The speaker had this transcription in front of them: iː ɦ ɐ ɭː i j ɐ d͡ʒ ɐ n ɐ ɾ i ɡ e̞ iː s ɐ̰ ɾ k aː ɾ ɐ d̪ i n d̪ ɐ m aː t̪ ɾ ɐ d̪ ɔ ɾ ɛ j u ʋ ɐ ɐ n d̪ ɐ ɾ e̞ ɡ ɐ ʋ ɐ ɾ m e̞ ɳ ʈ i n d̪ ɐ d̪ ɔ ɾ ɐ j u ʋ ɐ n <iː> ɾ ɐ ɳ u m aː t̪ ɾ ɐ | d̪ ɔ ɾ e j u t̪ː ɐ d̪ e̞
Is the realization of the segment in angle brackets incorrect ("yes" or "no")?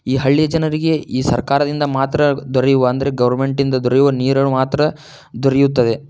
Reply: no